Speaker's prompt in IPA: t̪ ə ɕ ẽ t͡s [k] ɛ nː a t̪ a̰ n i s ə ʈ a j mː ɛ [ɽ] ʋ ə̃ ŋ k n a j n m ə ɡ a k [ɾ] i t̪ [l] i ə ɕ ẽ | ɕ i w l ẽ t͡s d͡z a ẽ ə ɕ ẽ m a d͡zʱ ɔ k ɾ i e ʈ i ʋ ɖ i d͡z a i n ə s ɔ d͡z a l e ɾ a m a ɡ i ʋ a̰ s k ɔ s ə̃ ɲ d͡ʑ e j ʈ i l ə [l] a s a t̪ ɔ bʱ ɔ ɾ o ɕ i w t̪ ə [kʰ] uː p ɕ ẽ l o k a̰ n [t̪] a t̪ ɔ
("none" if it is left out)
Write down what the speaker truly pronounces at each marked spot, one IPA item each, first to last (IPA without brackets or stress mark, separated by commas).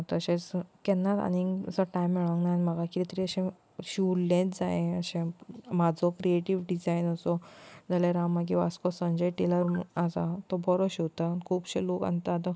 k, ɭ, ɾ, ɾ, ɾ, kʰ, t̪